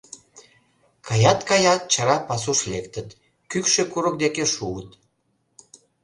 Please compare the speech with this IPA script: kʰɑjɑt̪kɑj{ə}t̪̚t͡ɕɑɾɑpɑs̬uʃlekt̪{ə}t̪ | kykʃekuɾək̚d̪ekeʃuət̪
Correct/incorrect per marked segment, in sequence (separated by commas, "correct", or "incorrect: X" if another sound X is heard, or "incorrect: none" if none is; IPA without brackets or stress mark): incorrect: ɑ, correct